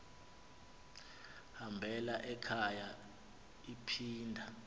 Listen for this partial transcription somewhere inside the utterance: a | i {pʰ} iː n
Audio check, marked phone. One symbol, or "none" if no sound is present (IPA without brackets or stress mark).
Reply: pʰ